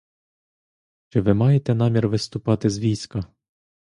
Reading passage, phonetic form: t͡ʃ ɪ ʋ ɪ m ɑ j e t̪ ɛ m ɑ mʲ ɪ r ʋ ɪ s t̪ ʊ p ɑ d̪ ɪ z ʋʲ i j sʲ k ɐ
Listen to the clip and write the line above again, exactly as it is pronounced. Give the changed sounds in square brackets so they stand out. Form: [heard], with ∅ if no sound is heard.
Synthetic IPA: t͡ʃ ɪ ʋ ɪ m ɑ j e t̪ ɛ [n] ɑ mʲ [i] r ʋ ɪ s t̪ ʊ p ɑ [t̪] ɪ z ʋʲ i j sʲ k ɐ